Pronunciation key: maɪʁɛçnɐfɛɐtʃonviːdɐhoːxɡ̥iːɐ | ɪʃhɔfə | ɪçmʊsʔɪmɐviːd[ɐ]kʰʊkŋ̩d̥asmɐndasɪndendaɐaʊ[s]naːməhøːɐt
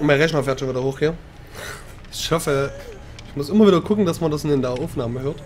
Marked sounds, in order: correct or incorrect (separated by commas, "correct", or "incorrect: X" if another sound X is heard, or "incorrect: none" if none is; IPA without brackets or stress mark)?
correct, incorrect: f